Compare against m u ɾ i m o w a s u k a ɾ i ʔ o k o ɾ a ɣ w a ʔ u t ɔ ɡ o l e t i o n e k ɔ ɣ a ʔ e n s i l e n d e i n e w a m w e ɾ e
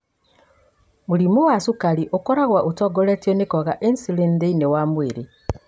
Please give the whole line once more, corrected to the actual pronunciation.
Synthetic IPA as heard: m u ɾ i m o w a s u k a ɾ i ʔ o k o ɾ a ɣ w a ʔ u t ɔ ɡ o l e t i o n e k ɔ ɣ a ʔ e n s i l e n d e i n e w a m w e ɾ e